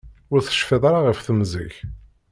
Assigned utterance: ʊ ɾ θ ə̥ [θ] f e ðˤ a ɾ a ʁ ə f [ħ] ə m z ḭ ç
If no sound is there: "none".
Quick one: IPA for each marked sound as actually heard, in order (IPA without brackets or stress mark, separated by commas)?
ʃ, θ